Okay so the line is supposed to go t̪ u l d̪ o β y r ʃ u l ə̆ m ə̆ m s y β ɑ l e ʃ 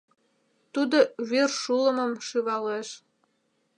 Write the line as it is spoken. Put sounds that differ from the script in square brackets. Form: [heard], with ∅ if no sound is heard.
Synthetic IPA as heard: t̪ u [∅] d̪ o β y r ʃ u l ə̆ m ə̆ m [ʃ] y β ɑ l e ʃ